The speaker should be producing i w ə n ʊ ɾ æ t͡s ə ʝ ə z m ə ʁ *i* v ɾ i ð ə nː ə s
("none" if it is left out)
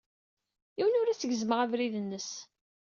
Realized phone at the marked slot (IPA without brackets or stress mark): æ